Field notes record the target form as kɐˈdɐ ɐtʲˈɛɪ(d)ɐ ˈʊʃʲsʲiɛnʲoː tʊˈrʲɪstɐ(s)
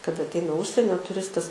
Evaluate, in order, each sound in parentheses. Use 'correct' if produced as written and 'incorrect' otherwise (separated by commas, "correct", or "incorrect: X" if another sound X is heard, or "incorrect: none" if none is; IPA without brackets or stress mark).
incorrect: n, correct